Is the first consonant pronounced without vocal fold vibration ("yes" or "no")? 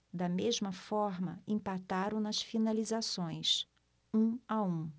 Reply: no